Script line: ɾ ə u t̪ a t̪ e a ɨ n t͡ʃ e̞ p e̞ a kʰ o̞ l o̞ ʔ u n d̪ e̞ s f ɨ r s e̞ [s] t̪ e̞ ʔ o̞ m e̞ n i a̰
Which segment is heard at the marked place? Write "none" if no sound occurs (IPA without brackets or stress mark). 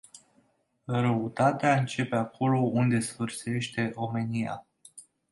ʃ